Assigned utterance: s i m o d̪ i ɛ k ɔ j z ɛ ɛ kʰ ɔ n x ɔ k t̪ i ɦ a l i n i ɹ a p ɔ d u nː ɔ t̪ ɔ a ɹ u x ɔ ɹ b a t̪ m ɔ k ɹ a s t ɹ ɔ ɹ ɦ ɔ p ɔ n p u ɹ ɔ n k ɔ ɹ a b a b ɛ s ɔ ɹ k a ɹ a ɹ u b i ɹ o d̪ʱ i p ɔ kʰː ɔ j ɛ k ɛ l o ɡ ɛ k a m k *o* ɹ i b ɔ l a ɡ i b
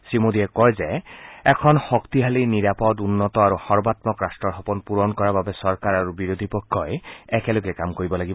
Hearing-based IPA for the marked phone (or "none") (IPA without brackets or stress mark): o